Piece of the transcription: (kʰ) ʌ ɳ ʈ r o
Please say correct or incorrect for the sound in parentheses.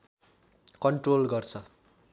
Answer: incorrect